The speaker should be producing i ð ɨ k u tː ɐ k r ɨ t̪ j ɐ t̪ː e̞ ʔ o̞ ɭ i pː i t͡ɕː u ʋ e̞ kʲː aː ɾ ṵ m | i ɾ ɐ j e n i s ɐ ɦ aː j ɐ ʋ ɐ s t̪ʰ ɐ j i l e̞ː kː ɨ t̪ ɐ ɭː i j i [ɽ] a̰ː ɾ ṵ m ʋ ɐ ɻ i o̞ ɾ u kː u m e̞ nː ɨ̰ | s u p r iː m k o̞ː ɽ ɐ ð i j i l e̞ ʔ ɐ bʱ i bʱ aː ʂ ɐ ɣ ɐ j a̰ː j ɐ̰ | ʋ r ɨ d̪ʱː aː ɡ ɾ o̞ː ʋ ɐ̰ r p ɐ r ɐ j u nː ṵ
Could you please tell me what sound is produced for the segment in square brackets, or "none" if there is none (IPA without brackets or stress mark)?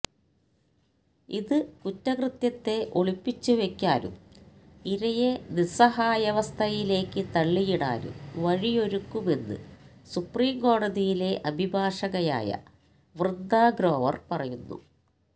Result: ɽ